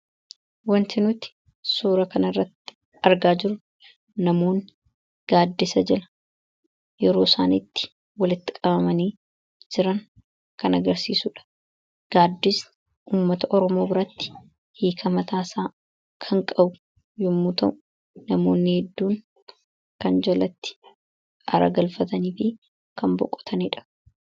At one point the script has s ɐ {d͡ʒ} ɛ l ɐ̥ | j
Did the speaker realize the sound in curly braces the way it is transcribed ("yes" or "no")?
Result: yes